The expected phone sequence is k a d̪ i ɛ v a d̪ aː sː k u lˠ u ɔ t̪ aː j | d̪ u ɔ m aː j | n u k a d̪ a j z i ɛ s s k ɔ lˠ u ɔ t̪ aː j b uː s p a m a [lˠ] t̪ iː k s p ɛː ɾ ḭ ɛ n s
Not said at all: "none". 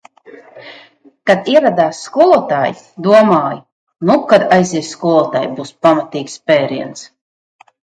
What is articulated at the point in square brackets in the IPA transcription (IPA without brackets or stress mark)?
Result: none